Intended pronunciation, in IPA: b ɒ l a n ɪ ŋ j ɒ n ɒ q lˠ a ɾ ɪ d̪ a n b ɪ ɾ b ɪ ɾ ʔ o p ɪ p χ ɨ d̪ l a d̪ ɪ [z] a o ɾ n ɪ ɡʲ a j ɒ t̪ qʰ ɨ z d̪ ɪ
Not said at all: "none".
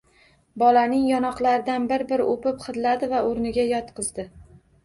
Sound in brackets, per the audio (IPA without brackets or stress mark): v